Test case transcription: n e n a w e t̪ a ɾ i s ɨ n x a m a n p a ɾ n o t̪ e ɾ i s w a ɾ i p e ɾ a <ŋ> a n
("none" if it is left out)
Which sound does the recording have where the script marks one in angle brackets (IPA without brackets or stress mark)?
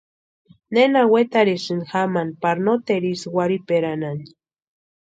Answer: n